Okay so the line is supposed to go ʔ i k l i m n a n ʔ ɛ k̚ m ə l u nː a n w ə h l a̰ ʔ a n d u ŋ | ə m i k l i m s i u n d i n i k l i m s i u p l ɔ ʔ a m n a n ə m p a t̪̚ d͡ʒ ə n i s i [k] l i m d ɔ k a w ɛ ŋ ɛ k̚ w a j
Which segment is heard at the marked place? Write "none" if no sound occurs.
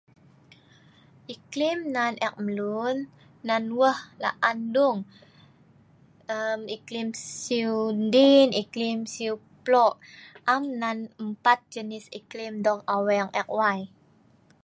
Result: k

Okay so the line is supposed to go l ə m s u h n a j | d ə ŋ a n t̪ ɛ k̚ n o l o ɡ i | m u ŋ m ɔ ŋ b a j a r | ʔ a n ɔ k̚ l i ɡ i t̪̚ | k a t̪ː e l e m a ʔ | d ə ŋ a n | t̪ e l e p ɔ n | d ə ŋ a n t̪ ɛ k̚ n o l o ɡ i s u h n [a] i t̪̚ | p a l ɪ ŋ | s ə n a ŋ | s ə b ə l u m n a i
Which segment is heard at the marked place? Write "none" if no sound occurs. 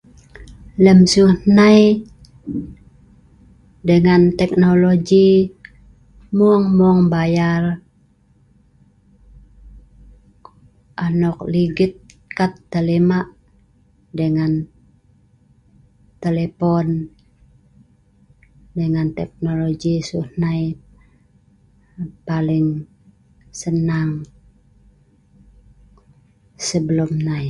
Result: a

